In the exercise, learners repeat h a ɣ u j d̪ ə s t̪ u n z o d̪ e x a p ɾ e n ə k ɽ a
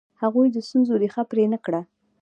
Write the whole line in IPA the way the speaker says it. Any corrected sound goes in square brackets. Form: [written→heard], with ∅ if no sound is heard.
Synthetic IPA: h a ɣ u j d̪ ə s t̪ u n z o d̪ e x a p ɾ e n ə k ɽ a